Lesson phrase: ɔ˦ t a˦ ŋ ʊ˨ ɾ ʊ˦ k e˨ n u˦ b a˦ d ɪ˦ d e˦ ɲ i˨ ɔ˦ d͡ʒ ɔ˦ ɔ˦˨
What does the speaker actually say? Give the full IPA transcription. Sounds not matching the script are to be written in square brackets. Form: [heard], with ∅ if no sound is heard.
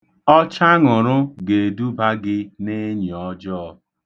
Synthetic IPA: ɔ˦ [t͡ʃ] a˦ ŋ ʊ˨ ɾ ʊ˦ [ɡ] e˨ [d] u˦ b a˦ [ɡ] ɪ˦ [n] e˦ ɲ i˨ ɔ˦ d͡ʒ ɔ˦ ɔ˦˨